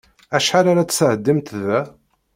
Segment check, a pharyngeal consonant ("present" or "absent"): present